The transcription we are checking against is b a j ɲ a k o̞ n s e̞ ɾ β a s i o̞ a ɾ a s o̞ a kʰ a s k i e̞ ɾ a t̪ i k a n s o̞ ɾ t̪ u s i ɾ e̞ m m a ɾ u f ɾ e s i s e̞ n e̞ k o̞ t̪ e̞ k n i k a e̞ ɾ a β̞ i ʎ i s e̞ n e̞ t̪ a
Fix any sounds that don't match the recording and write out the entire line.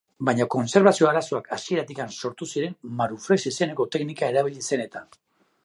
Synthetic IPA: b a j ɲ a k o̞ n s e̞ ɾ β a s i o̞ a ɾ a s o̞ a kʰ a s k i e̞ ɾ a t̪ i k a n s o̞ ɾ t̪ u s i ɾ e̞ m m a ɾ u f ɾ e s i s e̞ n e̞ k o̞ t̪ e̞ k n i k a e̞ ɾ a β̞ i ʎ i s e̞ n e̞ t̪ a